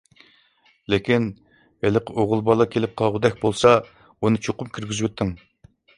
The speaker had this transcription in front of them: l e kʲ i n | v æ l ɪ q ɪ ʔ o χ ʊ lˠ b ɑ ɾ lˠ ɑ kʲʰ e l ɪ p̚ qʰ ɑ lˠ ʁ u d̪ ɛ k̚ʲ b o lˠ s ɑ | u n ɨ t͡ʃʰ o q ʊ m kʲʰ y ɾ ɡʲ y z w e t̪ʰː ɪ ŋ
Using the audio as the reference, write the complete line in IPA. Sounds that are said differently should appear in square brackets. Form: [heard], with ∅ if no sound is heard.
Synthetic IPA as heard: l e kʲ i n | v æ l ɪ q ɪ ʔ o [ʁ] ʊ lˠ b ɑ [∅] lˠ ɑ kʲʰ e l ɪ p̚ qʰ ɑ lˠ ʁ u d̪ ɛ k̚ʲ b o lˠ s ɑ | u n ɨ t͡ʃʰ o q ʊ m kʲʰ y ɾ ɡʲ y z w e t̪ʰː ɪ ŋ

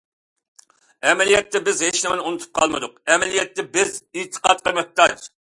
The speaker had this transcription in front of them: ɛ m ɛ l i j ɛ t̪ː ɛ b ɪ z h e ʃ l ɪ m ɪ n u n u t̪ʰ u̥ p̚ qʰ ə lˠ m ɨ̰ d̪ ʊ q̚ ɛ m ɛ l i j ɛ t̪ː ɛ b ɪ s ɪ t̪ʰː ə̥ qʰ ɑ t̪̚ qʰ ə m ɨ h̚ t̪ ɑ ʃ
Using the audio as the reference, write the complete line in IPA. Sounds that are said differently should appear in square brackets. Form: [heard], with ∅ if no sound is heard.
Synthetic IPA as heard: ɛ m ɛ l i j ɛ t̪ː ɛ b ɪ z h e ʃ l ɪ m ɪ n u n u t̪ʰ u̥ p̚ qʰ [ɑ] lˠ m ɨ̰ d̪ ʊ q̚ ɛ m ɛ l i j ɛ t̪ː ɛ b ɪ [z] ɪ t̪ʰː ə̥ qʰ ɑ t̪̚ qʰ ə m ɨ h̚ t̪ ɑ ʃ

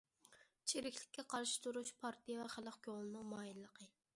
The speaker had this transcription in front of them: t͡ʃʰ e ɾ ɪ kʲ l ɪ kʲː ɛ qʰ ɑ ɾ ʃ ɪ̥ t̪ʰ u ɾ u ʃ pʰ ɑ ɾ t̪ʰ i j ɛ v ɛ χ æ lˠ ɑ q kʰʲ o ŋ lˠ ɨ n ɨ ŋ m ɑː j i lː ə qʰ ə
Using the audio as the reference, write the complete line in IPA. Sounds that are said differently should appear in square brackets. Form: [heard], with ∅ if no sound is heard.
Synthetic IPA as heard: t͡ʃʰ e ɾ ɪ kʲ l ɪ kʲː ɛ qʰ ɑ ɾ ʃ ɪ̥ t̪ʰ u ɾ u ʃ pʰ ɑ ɾ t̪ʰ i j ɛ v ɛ χ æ lˠ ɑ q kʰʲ o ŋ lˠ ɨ n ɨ ŋ m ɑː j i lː ə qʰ ə

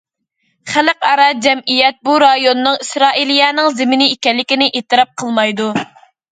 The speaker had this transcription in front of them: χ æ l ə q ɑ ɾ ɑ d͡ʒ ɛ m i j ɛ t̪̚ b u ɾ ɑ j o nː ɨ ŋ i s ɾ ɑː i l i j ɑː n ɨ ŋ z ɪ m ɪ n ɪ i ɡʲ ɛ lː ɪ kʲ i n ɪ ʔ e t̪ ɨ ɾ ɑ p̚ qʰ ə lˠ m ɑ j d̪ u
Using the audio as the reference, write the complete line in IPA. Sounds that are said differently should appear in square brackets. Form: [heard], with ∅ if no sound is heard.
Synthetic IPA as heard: χ æ l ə q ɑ ɾ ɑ d͡ʒ ɛ m i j ɛ t̪̚ b u ɾ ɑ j o nː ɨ ŋ i s ɾ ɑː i l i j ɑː n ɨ ŋ z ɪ m ɪ n ɪ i [kʲ] ɛ lː ɪ kʲ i n ɪ ʔ e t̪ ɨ ɾ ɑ p̚ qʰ ə lˠ m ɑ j d̪ u

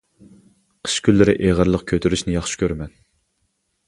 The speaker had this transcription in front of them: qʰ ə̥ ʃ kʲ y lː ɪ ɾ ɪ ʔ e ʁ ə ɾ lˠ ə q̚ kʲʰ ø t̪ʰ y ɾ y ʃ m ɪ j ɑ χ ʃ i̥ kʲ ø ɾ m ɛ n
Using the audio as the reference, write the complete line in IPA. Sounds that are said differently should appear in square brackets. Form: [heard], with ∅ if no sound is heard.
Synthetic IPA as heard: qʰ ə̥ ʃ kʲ y lː ɪ ɾ ɪ ʔ e ʁ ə ɾ lˠ ə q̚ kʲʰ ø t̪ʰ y ɾ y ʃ [n] ɪ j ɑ χ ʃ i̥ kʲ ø ɾ m ɛ n

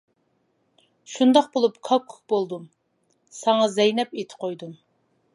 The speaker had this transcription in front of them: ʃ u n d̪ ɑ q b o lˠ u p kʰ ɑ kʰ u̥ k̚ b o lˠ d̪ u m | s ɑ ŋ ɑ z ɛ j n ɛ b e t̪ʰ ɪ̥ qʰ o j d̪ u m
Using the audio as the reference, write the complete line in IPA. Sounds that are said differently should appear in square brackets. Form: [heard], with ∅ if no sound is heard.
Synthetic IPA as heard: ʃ u n d̪ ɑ q b o lˠ u p kʰ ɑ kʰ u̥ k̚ b o lˠ d̪ u m | s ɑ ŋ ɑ z ɛ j n ɛ [p] e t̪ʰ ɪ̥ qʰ o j d̪ u m

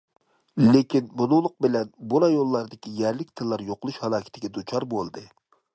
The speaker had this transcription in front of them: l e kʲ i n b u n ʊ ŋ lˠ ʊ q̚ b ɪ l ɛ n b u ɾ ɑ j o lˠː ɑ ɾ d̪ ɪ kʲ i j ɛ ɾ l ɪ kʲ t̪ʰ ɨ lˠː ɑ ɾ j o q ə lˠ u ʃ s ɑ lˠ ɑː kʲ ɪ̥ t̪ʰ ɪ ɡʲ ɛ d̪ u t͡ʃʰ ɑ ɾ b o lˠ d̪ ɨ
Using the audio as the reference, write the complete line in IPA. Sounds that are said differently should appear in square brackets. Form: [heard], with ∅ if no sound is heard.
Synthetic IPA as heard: l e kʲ i n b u n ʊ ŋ lˠ ʊ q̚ b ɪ l ɛ n b u ɾ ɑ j o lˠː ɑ ɾ d̪ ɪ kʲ i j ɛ ɾ l ɪ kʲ t̪ʰ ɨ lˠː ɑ ɾ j o q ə lˠ u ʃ [h] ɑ lˠ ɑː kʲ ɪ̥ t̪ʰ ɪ ɡʲ ɛ d̪ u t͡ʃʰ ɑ ɾ b o lˠ d̪ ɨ

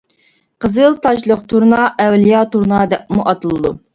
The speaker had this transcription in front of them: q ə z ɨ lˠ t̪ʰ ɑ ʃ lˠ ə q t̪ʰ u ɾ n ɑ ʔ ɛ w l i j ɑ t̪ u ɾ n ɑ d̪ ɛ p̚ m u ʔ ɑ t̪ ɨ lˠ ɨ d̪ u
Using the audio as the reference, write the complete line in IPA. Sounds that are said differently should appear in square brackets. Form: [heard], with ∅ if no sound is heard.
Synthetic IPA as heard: q ə z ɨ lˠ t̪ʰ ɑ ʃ lˠ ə q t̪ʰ u ɾ n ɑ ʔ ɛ w l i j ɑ t̪ u ɾ n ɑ d̪ ɛ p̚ m u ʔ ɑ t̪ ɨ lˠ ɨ d̪ u

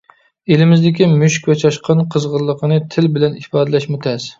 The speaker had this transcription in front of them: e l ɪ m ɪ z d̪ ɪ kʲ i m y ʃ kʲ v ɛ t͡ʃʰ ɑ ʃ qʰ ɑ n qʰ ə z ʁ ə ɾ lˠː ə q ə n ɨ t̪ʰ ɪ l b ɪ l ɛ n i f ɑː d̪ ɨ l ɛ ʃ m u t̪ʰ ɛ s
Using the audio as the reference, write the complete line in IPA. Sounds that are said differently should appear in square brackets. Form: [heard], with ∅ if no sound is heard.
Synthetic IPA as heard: e l ɪ m ɪ z d̪ ɪ kʲ i m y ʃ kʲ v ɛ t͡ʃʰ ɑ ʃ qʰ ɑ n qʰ ə z ʁ ə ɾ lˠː ə q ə n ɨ t̪ʰ ɪ l b ɪ l ɛ n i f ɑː d̪ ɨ l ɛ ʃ m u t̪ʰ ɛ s

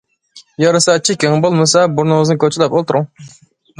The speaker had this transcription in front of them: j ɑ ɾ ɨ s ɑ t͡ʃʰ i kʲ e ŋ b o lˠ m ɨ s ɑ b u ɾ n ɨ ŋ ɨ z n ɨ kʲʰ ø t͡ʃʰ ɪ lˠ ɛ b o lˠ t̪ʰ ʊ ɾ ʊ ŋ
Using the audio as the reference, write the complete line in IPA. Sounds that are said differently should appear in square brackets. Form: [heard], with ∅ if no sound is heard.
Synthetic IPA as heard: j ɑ ɾ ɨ s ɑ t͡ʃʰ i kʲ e ŋ b o lˠ m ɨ s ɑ b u ɾ n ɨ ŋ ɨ z n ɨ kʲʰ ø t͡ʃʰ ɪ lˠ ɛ [p] o lˠ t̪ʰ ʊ ɾ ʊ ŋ

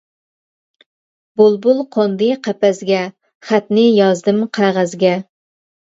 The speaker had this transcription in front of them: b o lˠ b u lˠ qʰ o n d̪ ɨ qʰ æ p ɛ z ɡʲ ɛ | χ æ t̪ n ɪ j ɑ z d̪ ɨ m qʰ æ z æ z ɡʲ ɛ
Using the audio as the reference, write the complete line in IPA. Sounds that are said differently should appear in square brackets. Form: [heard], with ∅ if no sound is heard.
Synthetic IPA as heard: b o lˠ b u lˠ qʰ o n d̪ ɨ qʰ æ p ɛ z ɡʲ ɛ | χ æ t̪ n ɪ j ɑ z d̪ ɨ m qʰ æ [ʁ] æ z ɡʲ ɛ

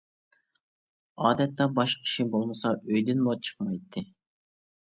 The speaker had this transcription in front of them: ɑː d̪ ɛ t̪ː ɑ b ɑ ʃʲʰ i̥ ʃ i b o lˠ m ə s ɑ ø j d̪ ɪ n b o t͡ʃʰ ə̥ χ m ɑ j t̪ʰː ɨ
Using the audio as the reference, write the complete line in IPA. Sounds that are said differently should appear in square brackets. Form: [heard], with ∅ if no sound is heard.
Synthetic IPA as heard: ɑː d̪ ɛ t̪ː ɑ b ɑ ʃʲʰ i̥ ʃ i b o lˠ m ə s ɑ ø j d̪ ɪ n [m] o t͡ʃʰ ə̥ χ m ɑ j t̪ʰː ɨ

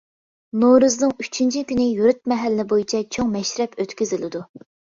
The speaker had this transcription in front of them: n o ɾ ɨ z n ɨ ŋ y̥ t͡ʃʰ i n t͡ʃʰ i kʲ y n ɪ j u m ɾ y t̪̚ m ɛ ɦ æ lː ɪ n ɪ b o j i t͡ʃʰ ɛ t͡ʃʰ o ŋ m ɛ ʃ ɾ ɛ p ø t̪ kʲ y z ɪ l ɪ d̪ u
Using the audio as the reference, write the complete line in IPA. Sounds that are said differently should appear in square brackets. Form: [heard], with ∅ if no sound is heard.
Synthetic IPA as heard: n o ɾ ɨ z n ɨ ŋ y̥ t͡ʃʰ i n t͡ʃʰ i kʲ y n ɪ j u [∅] ɾ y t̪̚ m ɛ ɦ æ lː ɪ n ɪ b o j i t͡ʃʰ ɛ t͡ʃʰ o ŋ m ɛ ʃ ɾ ɛ p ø t̪ kʲ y z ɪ l ɪ d̪ u

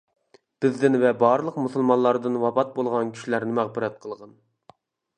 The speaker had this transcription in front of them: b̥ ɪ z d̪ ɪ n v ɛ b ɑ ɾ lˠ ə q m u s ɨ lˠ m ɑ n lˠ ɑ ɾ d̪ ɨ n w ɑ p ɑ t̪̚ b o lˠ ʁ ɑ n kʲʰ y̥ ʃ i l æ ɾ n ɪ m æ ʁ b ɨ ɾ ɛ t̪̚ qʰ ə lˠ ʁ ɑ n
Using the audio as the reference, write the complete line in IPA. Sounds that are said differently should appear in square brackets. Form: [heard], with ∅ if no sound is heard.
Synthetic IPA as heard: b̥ ɪ z d̪ ɪ n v ɛ b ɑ ɾ lˠ ə q m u s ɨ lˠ m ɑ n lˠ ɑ ɾ d̪ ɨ n w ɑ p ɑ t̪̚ b o lˠ ʁ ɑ n kʲʰ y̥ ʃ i l æ ɾ n ɪ m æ ʁ b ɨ ɾ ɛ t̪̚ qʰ ə lˠ ʁ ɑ n

